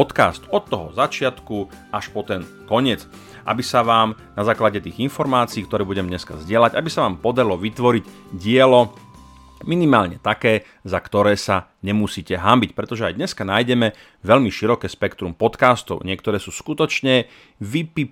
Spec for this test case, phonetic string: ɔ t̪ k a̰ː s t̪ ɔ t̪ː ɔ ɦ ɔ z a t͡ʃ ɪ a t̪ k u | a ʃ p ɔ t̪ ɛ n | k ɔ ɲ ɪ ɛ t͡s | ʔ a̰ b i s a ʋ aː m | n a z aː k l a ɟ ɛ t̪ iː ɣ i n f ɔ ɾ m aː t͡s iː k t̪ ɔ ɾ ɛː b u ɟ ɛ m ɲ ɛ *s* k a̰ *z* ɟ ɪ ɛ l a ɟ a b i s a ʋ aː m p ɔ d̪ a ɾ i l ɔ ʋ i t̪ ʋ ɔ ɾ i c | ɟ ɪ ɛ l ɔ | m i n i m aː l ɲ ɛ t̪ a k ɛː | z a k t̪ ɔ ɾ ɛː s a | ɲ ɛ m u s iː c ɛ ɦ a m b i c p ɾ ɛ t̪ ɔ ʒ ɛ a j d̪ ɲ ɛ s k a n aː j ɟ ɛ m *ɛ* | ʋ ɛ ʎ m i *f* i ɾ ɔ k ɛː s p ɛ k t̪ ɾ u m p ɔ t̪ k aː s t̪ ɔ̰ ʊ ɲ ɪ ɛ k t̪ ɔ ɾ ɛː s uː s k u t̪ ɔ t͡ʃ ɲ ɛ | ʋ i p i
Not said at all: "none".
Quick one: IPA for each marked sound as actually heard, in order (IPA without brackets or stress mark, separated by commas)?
s, z, ɛ, ʃ